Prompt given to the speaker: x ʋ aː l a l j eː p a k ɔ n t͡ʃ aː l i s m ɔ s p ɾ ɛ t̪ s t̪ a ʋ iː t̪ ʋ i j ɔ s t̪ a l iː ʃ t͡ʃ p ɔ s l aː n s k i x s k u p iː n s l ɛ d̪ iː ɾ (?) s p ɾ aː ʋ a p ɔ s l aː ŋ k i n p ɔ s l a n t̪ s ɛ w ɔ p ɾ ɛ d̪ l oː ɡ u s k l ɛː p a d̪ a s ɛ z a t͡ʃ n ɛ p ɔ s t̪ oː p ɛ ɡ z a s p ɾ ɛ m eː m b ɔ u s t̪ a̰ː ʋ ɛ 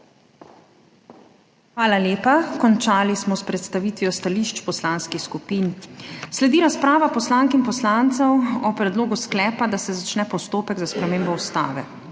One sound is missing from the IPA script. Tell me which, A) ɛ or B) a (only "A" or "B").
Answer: B